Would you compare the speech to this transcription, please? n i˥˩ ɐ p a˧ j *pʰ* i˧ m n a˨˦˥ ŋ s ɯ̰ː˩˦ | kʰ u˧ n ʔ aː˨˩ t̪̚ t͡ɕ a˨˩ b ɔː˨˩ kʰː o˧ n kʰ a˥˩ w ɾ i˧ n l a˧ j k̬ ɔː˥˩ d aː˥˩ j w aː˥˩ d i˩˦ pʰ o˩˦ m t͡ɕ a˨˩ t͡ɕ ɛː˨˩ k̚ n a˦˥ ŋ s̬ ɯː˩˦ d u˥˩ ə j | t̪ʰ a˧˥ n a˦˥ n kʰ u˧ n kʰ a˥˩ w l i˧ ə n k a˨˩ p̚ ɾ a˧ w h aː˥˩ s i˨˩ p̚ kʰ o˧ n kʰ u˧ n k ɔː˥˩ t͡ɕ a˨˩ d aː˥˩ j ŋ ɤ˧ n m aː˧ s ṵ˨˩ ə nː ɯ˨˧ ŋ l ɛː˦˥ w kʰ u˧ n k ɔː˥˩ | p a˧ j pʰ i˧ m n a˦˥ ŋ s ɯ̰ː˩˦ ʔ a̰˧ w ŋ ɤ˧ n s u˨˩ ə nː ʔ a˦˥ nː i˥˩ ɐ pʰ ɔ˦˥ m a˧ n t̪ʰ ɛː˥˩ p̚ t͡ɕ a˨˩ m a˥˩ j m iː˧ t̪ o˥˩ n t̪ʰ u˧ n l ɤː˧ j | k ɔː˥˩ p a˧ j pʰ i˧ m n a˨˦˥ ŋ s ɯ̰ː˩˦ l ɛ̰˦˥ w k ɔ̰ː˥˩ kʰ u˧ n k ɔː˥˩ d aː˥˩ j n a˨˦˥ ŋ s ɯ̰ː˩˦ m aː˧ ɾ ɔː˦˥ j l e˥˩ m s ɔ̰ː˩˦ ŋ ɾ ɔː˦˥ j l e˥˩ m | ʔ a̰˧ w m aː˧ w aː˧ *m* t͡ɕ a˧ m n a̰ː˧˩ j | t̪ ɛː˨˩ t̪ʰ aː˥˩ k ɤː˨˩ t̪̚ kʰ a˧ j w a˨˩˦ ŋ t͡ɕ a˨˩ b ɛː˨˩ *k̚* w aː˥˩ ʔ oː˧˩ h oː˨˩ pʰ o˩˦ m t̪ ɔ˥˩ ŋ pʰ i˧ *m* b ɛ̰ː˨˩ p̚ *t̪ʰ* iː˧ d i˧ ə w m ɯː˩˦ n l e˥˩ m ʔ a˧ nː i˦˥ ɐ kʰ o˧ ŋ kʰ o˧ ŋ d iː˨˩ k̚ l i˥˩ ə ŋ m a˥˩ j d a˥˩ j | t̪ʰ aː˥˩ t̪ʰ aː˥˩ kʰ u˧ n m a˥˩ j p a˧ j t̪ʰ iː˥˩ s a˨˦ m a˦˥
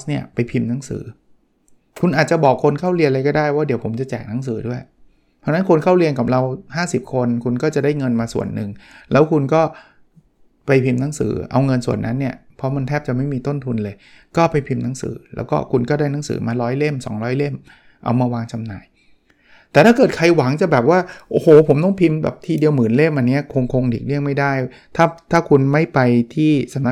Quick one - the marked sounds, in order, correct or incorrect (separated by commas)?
correct, incorrect, incorrect, correct, correct